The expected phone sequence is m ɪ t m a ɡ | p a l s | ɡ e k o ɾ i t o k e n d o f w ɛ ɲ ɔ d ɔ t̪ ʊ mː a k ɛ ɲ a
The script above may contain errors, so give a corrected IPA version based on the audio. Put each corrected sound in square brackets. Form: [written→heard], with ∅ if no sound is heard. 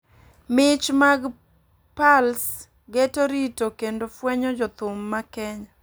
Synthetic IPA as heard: m ɪ [t→t͡ʃ] m a ɡ | p a l s | ɡ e [k→t] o ɾ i t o k e n d o f w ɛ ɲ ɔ [d→d͡ʒ] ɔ t̪ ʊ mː a k ɛ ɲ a